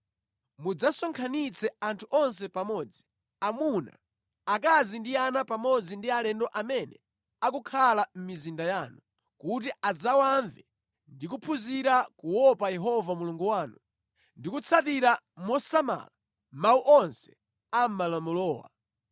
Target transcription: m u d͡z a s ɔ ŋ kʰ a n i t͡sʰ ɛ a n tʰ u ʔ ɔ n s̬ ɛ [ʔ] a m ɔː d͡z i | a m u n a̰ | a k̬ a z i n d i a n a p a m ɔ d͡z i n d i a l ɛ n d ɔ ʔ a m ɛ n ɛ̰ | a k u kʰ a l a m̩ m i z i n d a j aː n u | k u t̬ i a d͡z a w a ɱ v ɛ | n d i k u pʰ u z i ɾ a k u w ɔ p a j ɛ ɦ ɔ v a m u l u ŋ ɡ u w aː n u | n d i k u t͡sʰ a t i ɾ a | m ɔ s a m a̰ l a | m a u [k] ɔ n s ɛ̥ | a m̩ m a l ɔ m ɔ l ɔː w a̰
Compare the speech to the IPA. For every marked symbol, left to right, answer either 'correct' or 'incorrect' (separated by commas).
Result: incorrect, incorrect